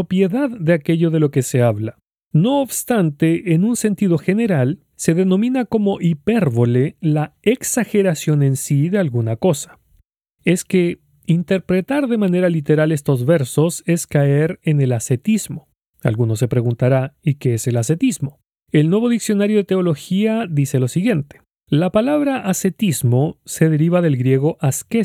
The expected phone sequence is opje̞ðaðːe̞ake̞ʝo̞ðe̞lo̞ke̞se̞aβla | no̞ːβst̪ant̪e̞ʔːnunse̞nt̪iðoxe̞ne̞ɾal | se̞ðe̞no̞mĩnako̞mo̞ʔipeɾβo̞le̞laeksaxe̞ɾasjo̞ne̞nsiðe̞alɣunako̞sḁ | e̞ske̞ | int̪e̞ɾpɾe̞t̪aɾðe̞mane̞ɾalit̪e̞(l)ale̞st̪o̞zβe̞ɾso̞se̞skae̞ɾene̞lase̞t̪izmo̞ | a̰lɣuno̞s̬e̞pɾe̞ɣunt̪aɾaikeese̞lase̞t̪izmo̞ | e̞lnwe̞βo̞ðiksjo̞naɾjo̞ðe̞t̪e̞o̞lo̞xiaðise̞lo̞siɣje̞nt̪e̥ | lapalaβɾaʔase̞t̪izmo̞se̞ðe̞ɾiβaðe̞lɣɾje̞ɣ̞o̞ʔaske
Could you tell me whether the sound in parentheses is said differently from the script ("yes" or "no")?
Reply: yes